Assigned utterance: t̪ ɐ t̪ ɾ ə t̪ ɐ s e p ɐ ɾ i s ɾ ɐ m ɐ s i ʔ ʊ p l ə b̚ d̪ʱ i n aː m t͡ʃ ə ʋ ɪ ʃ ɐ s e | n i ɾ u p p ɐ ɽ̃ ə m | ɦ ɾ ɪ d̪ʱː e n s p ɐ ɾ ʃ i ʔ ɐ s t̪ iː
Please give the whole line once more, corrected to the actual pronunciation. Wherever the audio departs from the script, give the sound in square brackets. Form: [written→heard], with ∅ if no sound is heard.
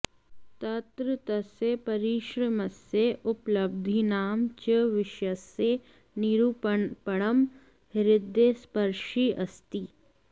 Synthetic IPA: t̪ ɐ t̪ ɾ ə t̪ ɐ s e p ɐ ɾ i [s→ʃ] ɾ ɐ m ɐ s [i→e] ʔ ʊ p l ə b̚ d̪ʱ i n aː m t͡ʃ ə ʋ ɪ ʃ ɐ s e | n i ɾ u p p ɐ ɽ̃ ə m | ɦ ɾ ɪ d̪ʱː e [n→∅] s p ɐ ɾ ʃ i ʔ ɐ s t̪ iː